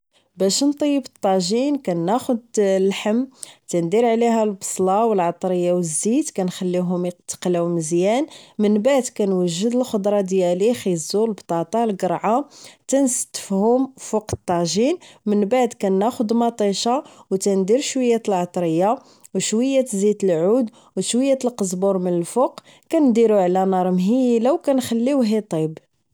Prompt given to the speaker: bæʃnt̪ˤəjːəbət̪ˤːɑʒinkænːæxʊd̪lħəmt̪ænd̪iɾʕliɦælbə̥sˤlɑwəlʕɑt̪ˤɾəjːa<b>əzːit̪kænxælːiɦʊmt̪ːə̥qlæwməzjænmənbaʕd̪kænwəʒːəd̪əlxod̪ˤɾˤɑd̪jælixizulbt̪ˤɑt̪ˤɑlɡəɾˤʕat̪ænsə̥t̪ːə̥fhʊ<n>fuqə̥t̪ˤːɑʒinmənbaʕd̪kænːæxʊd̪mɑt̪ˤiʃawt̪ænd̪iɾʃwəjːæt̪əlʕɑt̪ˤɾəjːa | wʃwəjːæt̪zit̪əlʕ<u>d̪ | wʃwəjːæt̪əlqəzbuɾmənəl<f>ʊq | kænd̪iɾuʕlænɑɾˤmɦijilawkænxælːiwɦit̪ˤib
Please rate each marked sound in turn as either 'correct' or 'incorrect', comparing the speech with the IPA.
incorrect: w, incorrect: m, correct, correct

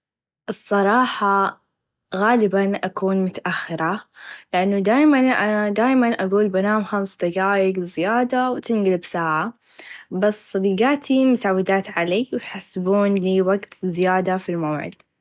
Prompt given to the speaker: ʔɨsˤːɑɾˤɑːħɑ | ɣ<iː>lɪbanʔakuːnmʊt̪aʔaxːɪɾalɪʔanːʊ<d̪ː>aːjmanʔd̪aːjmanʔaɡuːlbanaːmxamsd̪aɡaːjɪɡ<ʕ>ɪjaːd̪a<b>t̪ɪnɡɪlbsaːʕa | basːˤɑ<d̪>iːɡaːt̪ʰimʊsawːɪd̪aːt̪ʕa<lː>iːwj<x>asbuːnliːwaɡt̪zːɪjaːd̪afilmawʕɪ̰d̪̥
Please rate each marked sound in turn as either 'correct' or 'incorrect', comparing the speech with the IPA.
incorrect: aː, incorrect: d̪, incorrect: z, incorrect: w, correct, incorrect: l, incorrect: ħ

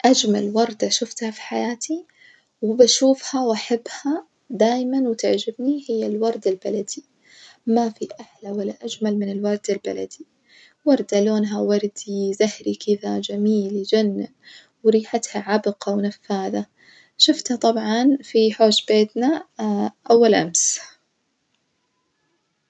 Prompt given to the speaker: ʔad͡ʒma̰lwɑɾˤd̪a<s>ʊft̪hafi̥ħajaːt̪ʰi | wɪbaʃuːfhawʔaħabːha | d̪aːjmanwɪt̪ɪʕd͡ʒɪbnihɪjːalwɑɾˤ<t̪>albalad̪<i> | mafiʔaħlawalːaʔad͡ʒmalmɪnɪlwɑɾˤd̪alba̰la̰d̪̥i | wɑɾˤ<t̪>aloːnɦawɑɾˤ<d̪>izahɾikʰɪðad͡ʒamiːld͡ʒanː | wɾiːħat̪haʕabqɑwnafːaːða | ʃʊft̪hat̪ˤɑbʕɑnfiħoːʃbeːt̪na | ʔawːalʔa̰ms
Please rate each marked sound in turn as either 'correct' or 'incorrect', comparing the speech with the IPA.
incorrect: ʃ, incorrect: d̪, correct, incorrect: d̪, correct

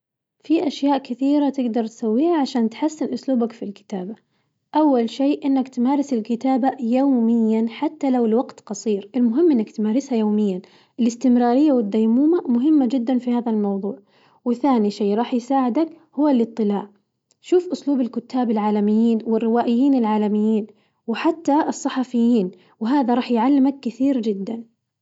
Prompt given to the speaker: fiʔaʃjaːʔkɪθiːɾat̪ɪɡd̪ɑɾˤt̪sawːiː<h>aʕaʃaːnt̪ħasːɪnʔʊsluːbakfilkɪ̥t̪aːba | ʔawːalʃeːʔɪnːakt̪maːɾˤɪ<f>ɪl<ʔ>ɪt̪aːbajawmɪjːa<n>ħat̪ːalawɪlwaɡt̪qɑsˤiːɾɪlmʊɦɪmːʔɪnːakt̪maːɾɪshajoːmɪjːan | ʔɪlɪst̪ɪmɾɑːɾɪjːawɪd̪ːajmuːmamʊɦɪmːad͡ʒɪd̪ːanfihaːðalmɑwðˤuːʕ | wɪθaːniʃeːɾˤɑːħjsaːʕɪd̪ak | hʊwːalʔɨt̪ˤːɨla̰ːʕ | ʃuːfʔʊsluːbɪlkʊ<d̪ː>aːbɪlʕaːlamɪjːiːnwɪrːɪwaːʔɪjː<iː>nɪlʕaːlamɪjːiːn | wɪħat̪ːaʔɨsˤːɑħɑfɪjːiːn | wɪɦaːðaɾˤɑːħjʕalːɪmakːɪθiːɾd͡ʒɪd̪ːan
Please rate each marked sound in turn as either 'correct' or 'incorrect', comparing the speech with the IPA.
correct, incorrect: s, incorrect: k, correct, incorrect: t̪ː, correct

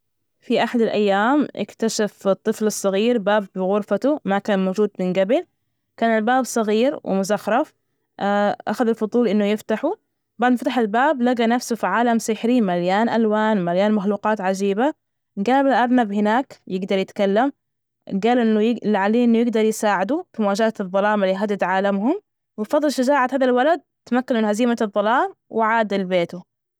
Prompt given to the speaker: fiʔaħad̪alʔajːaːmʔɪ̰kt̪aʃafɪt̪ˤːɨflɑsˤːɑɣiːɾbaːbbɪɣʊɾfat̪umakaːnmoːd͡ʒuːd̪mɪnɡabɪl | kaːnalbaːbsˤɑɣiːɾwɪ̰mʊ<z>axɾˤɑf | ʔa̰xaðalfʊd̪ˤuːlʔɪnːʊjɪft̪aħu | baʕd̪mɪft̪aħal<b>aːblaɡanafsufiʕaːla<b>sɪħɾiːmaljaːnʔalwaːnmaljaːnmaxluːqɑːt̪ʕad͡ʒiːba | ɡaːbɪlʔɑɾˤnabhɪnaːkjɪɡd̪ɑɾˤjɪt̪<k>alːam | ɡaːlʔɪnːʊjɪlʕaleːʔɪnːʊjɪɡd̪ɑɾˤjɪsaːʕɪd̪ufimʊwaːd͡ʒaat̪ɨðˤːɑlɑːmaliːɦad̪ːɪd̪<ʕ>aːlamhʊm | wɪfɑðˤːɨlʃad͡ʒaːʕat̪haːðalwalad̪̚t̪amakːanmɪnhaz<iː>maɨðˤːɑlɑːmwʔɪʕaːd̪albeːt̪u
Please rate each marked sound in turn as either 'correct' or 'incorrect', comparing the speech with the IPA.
correct, correct, incorrect: m, correct, correct, correct

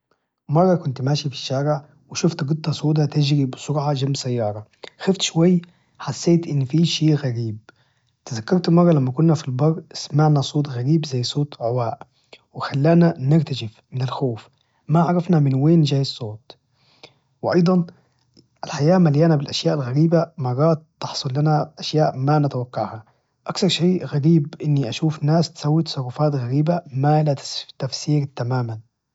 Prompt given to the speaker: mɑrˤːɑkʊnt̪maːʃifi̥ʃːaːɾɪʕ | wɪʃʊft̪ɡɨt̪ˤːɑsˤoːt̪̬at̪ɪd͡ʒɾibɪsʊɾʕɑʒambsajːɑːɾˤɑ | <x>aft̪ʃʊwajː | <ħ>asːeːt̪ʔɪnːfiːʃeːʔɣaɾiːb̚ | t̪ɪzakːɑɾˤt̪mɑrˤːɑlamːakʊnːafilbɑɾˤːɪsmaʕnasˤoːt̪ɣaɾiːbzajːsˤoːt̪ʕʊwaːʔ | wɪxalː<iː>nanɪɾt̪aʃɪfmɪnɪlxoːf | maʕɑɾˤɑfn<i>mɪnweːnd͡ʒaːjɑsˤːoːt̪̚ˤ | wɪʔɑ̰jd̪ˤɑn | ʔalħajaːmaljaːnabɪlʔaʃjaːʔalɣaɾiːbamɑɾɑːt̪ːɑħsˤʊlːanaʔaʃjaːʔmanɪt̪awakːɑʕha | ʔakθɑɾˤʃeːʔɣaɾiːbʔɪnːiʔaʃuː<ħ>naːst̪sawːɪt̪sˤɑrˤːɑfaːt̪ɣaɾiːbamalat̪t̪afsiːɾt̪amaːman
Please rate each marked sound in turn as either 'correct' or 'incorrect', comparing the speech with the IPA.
correct, correct, incorrect: aː, incorrect: a, incorrect: f

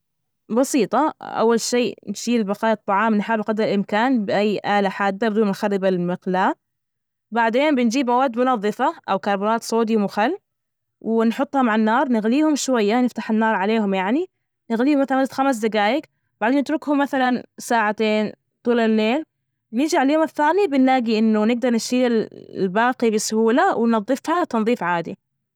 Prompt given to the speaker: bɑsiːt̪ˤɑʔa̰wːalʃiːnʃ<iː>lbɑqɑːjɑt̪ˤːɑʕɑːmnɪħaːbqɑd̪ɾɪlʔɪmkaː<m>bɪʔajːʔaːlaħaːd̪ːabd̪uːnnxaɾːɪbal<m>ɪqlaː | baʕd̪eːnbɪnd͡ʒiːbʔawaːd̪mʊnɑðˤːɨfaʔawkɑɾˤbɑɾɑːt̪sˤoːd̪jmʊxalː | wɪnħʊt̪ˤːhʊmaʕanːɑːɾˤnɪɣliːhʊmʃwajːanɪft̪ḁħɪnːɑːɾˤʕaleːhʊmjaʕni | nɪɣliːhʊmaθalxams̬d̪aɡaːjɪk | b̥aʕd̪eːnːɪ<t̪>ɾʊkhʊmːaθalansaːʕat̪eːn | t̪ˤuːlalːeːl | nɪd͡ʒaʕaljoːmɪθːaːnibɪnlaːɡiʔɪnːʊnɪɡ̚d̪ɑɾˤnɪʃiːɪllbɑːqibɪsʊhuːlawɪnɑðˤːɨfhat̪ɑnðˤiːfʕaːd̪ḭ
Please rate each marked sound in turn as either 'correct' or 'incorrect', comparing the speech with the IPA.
correct, incorrect: n, correct, correct

